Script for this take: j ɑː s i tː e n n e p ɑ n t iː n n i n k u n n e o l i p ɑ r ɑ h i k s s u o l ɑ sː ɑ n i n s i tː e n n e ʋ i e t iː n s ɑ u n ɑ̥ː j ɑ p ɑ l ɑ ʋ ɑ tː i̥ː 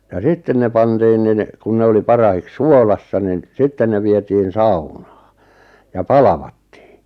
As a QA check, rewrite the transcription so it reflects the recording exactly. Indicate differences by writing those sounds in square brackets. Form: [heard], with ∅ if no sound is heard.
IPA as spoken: j [ɑ] s i tː e n n e p ɑ n t iː n n i n k u n n e o l i p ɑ r ɑ h i k s s u o l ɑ sː ɑ n i n s i tː e n n e ʋ i e t iː n s ɑ u n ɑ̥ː j ɑ p ɑ l ɑ ʋ ɑ tː i̥ː